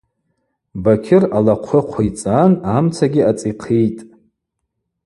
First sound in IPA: b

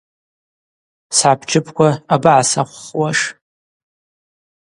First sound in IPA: s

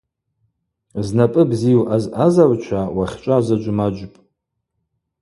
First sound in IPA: z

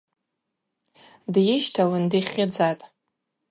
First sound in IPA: d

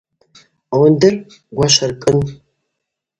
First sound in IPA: w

